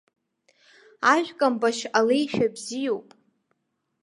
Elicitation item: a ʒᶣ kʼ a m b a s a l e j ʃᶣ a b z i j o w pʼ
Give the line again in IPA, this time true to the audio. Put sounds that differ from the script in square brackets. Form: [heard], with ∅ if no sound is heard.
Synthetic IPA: a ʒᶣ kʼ a m b a [ʃ] a l e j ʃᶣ a b z i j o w pʼ

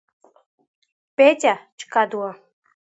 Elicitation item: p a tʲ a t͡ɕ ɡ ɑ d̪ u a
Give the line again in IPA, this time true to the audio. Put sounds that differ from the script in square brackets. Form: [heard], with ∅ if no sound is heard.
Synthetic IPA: p [e] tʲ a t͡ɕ [k] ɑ d̪ u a

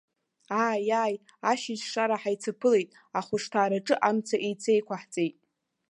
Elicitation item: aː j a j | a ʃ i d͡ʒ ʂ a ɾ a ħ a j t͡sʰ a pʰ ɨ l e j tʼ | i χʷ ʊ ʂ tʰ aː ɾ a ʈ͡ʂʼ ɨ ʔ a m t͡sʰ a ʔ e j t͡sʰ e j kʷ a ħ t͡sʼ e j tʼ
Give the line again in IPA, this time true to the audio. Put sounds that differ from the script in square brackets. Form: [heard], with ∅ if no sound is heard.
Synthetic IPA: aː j a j | a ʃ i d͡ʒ ʂ a ɾ a ħ a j t͡sʰ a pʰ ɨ l e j tʼ | [a] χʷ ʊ ʂ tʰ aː ɾ a ʈ͡ʂʼ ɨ ʔ a m t͡sʰ a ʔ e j t͡sʰ e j kʷ a ħ t͡sʼ e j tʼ

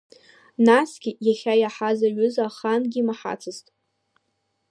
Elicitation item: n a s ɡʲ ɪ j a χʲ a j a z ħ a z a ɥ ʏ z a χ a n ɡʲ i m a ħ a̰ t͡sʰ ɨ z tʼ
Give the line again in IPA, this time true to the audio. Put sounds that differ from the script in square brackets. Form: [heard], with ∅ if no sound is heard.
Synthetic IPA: n a s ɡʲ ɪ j a χʲ a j a [∅] ħ a z a ɥ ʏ z a χ a n ɡʲ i m a ħ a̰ t͡sʰ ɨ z tʼ

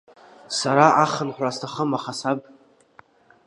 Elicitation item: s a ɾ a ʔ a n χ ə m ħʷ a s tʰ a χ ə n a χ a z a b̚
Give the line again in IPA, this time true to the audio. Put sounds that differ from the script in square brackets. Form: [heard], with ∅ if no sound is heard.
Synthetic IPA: s a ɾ a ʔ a [∅] χ ə [n] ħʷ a s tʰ a χ ə [m] a χ a [s] a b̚

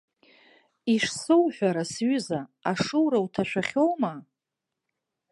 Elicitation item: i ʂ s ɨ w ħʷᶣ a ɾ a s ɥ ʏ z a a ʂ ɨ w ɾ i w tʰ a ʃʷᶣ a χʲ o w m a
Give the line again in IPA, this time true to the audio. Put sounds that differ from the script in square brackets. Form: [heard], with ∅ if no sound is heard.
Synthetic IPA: i ʂ s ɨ w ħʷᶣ a ɾ a s ɥ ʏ z a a ʂ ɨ w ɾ [a] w tʰ a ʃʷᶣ a χʲ o w m a

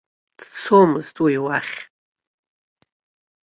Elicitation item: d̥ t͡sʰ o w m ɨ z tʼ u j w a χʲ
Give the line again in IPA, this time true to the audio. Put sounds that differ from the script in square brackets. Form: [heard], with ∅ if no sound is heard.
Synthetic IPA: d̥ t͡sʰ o [∅] m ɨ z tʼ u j w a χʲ

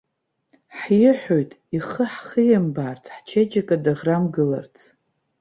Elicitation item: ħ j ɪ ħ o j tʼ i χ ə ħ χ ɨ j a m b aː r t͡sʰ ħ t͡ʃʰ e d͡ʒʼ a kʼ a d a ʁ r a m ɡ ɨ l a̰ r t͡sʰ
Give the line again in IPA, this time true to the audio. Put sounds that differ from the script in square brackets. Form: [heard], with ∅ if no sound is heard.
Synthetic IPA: ħ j ɪ ħ o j tʼ i χ ə ħ χ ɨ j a m b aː r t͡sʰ ħ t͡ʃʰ e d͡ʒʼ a kʼ a d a ʁ r a m ɡ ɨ l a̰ r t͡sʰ

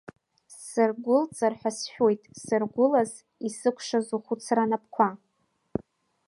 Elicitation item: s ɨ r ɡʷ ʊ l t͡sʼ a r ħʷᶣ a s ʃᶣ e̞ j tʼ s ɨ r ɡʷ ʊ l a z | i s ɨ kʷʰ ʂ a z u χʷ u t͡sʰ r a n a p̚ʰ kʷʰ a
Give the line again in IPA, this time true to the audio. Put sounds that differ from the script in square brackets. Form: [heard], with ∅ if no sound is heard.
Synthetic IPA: s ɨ r ɡʷ ʊ l t͡sʼ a r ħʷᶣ a s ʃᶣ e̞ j tʼ s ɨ r ɡʷ ʊ l a z | i s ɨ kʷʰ ʂ a z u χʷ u t͡sʰ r a n a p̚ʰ kʷʰ a

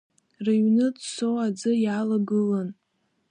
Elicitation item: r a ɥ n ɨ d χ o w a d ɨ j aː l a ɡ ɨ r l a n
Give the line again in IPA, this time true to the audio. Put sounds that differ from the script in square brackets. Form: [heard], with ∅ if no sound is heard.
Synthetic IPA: r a ɥ n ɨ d [s] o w a [d͡z] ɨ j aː l a ɡ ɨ [∅] l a n

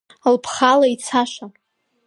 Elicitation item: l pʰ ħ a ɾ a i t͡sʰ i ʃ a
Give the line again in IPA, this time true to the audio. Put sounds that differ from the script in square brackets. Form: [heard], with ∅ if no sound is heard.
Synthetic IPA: l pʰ [χ] a [l] a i t͡sʰ [a] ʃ a

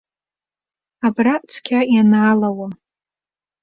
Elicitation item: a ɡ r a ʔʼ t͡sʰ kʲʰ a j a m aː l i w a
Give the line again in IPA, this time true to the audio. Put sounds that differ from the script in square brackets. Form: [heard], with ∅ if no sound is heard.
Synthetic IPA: a [b] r a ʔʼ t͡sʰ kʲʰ a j a [n] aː l [a] w a

